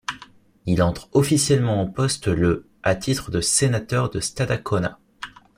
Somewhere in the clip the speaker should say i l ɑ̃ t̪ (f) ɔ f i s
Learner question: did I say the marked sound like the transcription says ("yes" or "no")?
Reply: no